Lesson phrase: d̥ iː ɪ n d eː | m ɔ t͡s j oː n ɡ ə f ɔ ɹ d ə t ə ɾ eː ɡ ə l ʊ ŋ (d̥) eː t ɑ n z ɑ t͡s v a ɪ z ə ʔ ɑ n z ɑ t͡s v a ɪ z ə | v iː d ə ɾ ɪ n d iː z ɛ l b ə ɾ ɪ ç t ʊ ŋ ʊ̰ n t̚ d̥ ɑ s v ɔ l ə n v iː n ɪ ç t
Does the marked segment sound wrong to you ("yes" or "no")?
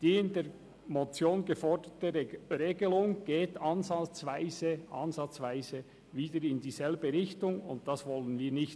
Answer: yes